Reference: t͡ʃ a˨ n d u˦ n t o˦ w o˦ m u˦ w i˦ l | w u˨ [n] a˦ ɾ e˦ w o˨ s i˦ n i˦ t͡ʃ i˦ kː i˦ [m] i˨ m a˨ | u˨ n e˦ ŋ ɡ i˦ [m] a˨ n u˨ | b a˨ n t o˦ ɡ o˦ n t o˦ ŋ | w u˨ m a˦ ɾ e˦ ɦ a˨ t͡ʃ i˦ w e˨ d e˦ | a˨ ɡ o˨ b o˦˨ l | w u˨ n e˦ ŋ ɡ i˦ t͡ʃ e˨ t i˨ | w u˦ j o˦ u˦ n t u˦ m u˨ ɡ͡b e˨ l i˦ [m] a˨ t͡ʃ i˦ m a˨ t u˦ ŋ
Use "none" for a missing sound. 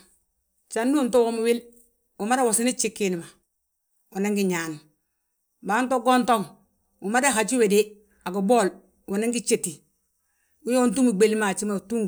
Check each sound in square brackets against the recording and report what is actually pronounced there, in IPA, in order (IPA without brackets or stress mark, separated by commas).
m, n, ɲ, m